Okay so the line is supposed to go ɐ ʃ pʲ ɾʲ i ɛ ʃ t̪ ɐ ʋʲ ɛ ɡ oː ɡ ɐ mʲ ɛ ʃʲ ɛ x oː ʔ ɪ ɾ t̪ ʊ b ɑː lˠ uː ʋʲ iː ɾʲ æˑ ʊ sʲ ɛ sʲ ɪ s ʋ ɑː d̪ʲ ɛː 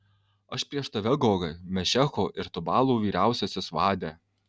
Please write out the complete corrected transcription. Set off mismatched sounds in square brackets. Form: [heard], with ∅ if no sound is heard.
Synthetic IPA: ɐ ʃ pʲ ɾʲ i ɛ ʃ t̪ ɐ ʋʲ ɛ ɡ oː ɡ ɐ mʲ ɛ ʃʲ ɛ x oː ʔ ɪ ɾ t̪ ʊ b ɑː lˠ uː ʋʲ iː ɾʲ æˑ ʊ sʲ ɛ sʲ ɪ s ʋ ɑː d̪ʲ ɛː